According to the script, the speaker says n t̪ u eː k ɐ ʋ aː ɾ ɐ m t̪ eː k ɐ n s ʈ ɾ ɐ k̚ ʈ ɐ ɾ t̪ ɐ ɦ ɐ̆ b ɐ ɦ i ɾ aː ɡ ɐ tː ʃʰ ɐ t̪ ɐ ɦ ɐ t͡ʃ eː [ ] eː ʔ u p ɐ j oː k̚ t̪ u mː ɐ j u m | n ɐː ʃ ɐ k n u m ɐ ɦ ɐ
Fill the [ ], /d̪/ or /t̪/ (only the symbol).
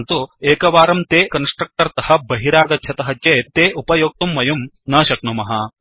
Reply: t̪